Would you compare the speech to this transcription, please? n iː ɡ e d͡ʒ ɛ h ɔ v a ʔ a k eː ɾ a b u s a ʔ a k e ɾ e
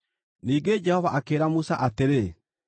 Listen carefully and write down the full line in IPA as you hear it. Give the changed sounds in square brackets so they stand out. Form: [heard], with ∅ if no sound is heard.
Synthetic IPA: n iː ɡ e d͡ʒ ɛ h ɔ v a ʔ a k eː ɾ a [m] u s a ʔ a [t] e ɾ e